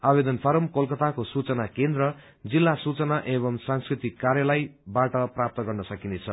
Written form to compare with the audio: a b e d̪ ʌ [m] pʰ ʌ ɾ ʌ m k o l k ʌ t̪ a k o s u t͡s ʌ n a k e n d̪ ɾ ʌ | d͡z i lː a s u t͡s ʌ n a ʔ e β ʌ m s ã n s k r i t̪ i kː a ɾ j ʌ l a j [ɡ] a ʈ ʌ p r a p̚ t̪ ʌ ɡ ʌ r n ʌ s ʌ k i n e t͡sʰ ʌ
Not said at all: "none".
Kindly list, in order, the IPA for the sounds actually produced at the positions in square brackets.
n, b

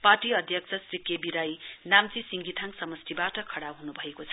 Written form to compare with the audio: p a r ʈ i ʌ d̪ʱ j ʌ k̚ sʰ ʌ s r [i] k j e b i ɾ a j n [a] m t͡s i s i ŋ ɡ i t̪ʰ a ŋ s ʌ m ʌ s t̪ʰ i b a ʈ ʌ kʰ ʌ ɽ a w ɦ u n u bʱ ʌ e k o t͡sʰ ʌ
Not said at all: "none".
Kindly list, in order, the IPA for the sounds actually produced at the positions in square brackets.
i, a

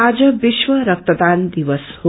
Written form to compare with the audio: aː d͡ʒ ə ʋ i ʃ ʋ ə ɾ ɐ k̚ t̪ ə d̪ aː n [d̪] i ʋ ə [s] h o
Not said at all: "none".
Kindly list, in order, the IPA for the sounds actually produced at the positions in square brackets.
d̪, s

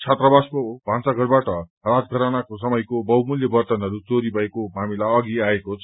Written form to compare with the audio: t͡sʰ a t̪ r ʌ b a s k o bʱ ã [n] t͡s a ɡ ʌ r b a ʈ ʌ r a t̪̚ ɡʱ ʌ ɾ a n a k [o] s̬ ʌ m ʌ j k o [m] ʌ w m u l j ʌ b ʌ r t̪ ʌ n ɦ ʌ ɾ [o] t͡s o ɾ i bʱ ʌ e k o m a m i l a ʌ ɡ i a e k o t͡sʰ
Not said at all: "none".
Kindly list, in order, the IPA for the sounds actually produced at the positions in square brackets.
n, o, b, u

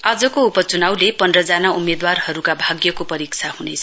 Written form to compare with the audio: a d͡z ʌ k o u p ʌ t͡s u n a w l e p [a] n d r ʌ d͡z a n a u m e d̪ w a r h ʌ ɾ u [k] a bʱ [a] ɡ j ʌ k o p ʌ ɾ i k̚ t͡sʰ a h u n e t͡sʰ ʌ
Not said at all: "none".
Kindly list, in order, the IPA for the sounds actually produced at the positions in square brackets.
ʌ, k, a

